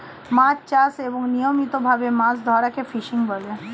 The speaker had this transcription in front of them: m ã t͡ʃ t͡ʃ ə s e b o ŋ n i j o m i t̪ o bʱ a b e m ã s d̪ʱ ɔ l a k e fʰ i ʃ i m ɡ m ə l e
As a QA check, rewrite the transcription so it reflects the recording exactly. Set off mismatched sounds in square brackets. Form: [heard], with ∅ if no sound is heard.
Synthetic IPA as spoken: m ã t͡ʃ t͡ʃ [a] s e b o ŋ n i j o m i t̪ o bʱ a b e m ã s d̪ʱ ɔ [ɾ] a k e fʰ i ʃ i [ŋ] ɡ [b] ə l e